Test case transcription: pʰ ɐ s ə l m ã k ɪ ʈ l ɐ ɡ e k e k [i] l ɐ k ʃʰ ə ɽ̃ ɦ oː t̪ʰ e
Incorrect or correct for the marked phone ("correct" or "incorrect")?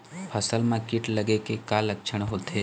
incorrect